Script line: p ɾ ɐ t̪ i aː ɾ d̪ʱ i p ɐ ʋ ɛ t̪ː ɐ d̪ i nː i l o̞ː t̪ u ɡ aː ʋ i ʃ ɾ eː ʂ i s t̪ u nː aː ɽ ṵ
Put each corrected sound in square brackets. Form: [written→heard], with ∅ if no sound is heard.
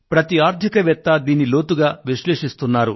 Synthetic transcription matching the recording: p ɾ ɐ t̪ i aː ɾ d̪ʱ i [p→k] ɐ ʋ ɛ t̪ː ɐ d̪ [i→iː] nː i l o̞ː t̪ u ɡ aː ʋ i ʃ [ɾ→l] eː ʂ i s t̪ u nː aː [ɽ→ɾ] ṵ